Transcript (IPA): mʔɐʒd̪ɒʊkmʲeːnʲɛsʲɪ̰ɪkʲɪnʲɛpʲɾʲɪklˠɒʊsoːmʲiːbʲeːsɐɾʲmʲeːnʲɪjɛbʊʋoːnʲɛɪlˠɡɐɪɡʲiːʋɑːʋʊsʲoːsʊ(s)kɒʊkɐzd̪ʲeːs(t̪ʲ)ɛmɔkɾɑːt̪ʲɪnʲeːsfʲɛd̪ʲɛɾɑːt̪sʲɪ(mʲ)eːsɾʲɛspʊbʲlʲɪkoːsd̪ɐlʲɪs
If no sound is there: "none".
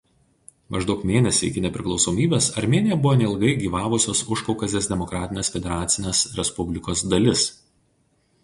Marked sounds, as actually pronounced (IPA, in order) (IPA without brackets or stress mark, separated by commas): ʃ, d̪ʲ, nʲ